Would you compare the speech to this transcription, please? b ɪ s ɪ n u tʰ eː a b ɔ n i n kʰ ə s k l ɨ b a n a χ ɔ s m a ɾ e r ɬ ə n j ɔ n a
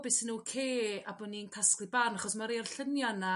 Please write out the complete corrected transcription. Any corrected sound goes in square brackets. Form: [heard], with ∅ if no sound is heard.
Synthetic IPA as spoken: b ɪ s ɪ n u [kʰ] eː a b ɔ n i n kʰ [a] s k l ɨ b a n a χ ɔ s m a ɾ e r ɬ ə n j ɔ n a

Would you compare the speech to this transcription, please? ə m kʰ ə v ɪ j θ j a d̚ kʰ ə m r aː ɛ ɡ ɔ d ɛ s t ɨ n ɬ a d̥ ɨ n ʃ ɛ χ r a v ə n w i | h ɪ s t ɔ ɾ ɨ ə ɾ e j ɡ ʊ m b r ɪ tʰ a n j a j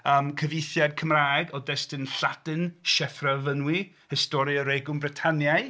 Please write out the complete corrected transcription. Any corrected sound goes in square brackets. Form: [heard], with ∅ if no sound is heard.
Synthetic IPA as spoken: ə m kʰ ə v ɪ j θ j a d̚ kʰ ə m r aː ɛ ɡ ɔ d ɛ s t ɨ n ɬ a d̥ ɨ n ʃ ɛ [f] r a v ə n w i | h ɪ s t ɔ ɾ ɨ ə ɾ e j ɡ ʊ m b r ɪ tʰ a n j a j

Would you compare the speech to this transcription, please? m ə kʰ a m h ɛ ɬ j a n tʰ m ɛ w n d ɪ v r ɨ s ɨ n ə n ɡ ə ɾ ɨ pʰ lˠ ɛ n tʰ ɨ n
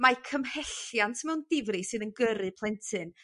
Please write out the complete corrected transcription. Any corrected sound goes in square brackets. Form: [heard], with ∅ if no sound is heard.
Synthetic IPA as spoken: m [a] kʰ [ə] m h ɛ ɬ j a n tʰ m ɛ w n d ɪ v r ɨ s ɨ n ə n ɡ ə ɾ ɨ pʰ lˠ ɛ n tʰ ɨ n

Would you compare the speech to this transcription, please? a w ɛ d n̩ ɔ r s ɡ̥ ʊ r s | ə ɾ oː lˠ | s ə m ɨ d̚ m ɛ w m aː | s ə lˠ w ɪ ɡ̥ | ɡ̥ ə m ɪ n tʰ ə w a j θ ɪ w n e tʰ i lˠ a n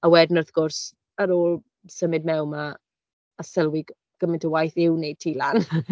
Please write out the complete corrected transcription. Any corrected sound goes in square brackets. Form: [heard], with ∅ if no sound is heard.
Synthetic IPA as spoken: a w ɛ d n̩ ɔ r [θ] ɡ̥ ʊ r s | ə ɾ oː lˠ | s ə m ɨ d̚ m ɛ w m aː | s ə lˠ w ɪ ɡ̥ | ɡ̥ ə m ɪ n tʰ ə w a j θ ɪ w n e tʰ i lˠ a n

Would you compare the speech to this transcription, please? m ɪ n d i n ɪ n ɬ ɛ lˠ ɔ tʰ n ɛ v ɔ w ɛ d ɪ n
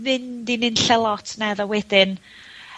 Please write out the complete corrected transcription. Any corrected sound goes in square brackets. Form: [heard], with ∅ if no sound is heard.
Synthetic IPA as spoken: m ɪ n d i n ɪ n ɬ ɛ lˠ ɔ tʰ n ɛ [ð] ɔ w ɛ d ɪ n

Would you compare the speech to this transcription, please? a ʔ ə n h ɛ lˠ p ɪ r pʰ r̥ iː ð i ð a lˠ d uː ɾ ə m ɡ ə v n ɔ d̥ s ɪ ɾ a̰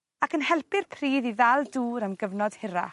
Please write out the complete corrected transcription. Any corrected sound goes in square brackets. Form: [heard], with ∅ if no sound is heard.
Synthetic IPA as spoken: a [k] ə n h ɛ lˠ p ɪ r pʰ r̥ iː ð i ð a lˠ d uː ɾ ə m ɡ ə v n ɔ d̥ [h] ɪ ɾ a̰

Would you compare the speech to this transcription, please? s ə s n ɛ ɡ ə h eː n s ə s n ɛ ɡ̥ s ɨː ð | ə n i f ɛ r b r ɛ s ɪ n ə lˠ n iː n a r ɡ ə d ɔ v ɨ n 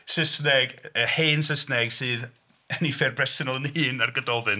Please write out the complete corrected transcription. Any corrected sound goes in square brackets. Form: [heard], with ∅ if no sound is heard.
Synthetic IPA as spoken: s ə s n ɛ ɡ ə h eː n s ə s n ɛ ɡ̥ s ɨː ð | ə n i f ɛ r b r ɛ s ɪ n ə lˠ n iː n a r ɡ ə d ɔ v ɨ n

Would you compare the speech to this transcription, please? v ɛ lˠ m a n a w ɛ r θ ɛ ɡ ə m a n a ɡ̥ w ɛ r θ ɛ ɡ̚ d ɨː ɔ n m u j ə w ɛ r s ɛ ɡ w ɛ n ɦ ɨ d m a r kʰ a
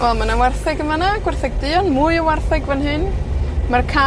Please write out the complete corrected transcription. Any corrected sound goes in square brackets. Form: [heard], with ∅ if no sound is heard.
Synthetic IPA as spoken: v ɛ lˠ m a n a w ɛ r θ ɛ ɡ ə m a n a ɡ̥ w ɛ r θ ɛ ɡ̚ d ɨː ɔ n m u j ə w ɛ r [θ] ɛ ɡ [v] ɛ n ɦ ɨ [n] m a r kʰ a

